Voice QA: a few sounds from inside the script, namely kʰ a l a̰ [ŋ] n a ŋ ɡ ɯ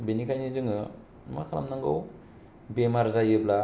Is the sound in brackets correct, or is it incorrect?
incorrect